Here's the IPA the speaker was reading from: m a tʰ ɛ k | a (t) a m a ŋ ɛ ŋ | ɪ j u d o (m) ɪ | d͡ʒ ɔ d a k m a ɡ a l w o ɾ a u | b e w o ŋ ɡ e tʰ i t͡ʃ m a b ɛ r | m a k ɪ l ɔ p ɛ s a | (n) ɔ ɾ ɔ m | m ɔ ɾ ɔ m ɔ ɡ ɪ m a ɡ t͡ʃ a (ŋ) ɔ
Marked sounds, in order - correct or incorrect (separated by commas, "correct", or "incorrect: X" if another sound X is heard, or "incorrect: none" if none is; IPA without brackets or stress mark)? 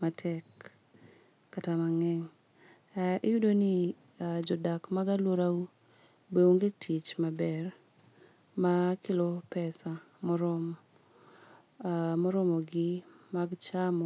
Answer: correct, incorrect: n, incorrect: m, incorrect: m